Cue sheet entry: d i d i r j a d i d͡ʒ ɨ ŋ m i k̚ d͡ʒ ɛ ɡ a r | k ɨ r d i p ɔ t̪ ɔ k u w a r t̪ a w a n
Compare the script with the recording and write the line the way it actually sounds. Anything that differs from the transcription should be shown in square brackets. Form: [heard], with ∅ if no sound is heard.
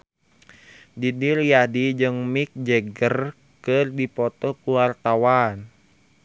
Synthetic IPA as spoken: d i d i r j a d i d͡ʒ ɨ ŋ m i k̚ d͡ʒ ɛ ɡ [ə] r | k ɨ r d i p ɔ t̪ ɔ k u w a r t̪ a w a n